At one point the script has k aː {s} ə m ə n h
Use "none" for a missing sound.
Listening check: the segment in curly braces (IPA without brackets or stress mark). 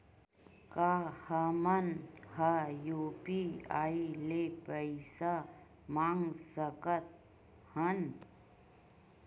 h